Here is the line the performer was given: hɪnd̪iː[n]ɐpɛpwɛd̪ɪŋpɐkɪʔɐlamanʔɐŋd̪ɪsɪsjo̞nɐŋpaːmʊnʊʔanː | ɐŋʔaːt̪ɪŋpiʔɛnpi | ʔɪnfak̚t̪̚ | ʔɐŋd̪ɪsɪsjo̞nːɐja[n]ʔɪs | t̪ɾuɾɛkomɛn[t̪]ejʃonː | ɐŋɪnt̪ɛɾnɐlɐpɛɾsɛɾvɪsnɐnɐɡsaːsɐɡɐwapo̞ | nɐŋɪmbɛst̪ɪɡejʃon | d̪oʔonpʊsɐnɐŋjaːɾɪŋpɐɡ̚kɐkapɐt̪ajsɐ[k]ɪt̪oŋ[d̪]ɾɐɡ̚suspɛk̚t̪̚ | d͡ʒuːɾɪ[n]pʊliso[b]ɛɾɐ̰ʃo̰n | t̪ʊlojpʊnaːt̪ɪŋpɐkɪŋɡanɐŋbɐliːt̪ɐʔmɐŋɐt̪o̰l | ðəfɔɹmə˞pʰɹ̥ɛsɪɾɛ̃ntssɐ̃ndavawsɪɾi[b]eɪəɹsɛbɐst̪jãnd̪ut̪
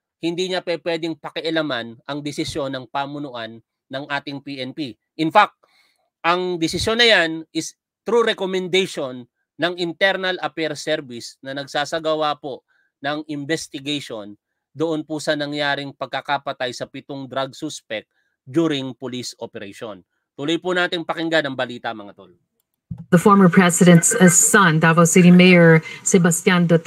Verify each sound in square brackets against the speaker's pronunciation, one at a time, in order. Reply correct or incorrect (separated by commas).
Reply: incorrect, correct, incorrect, incorrect, correct, incorrect, incorrect, incorrect